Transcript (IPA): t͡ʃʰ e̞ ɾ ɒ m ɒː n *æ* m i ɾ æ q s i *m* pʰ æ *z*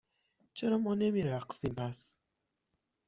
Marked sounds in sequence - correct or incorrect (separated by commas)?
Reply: incorrect, correct, incorrect